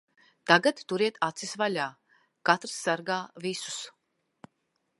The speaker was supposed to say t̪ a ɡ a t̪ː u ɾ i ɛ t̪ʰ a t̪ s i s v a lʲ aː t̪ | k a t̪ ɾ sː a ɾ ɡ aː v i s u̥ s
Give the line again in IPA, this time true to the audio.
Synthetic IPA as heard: t̪ a ɡ a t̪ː u ɾ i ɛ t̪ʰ a t̪ s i s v a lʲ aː | k a t̪ ɾ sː a ɾ ɡ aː v i s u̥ s